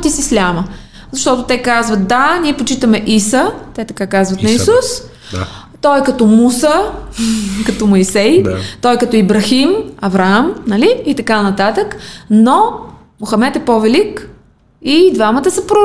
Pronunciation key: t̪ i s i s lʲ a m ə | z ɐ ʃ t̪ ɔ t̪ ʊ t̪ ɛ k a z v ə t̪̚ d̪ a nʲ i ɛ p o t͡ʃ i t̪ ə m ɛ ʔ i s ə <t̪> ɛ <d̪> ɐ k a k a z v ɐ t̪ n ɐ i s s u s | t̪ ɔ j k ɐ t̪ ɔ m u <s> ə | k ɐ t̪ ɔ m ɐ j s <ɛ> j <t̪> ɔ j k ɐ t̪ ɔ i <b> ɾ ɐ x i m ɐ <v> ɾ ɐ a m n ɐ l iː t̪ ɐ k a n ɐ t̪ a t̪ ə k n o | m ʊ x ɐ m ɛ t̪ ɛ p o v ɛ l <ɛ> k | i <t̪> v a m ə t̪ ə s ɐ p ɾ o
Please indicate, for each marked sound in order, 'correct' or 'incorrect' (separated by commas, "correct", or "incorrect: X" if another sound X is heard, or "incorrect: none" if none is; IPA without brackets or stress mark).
correct, incorrect: t̪, correct, correct, correct, correct, correct, incorrect: i, incorrect: d̪